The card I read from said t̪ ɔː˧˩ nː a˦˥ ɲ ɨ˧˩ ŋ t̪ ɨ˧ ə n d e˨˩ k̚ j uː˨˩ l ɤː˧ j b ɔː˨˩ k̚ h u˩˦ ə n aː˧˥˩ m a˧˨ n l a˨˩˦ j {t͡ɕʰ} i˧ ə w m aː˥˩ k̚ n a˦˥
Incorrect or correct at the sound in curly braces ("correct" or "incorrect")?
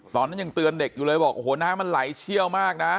correct